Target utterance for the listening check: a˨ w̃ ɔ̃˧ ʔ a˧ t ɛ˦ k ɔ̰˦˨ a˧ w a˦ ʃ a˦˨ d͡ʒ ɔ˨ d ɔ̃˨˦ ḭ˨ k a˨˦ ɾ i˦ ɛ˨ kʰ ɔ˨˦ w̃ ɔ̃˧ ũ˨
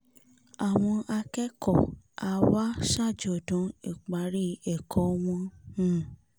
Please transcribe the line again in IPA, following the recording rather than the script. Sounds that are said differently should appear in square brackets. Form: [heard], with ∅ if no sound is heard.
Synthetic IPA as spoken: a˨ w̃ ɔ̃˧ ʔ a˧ [k] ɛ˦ k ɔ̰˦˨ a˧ w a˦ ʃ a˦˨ d͡ʒ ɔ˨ d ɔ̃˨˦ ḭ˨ [k͡p] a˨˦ ɾ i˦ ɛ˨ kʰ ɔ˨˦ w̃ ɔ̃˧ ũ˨